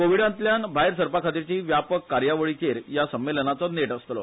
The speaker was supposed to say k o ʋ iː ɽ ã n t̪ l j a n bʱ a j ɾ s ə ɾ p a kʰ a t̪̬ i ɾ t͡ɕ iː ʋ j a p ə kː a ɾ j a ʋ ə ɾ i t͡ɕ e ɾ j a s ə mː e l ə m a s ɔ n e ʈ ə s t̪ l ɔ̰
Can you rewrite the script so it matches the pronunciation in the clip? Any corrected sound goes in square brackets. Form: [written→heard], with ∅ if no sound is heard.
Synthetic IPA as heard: k o ʋ [iː→i] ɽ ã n t̪ l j a n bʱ a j ɾ s ə ɾ p a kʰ a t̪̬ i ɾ t͡ɕ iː ʋ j a p ə kː a ɾ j a ʋ ə [ɾ→ɭ] i t͡ɕ e ɾ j a s ə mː e l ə [m→n] a [s→t͡s] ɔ n e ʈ ə s t̪ l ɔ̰